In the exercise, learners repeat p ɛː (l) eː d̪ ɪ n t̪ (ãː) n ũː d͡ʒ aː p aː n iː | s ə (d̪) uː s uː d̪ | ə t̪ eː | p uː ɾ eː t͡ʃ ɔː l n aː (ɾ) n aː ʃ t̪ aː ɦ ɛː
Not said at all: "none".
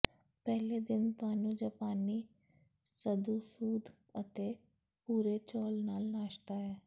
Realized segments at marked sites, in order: l, aː, d̪, l

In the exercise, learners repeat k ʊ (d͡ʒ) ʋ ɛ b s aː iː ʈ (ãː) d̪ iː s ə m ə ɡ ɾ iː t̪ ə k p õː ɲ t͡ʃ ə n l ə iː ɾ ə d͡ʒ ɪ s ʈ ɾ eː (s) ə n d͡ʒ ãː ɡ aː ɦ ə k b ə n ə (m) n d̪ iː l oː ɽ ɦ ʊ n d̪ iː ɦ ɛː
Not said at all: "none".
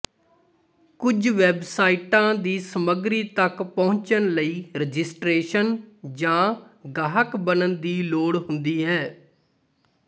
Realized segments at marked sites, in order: d͡ʒ, ãː, ʃ, none

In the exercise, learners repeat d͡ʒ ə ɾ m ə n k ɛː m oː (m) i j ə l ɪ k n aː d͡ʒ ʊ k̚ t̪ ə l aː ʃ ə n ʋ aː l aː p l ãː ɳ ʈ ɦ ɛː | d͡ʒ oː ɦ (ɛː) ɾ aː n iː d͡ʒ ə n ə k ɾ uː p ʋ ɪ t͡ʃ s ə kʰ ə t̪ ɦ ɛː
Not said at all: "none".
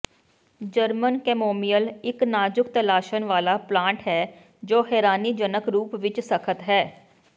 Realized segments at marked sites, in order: m, ɛː

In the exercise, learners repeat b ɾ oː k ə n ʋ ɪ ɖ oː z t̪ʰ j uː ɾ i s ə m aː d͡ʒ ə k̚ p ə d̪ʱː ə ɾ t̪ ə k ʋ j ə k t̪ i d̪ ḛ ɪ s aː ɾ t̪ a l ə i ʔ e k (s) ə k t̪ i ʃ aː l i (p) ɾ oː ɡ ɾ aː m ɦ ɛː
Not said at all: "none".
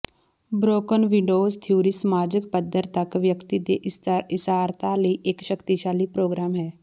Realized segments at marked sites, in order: ʃ, p

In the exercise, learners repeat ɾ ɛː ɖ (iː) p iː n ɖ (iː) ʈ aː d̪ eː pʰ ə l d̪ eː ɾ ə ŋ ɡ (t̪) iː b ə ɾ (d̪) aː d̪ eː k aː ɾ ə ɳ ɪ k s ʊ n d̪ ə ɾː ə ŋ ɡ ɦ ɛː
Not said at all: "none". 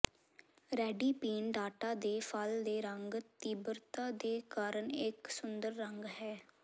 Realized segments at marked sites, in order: iː, aː, t̪, t̪

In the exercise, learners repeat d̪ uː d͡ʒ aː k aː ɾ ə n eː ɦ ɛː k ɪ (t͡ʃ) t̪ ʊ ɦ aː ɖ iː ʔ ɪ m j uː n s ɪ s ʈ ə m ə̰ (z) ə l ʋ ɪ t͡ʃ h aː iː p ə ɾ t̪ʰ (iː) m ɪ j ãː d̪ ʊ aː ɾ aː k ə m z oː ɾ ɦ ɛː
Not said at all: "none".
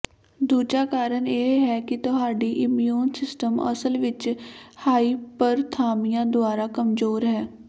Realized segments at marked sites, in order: none, s, aː

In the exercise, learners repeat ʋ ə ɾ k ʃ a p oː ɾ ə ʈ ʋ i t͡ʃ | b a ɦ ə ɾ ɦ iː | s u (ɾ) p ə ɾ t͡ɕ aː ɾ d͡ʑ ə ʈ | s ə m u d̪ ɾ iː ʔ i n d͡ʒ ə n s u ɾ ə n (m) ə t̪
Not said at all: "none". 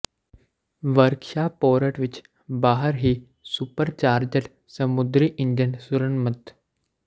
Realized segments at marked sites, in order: none, m

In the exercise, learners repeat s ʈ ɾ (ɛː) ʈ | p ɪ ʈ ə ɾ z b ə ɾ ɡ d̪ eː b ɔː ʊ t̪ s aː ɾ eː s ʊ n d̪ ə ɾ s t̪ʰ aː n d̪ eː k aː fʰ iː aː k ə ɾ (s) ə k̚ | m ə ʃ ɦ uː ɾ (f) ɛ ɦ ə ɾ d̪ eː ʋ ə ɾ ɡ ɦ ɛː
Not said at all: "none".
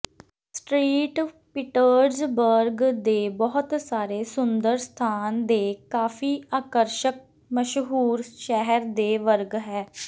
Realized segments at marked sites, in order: iː, ʃ, ʃ

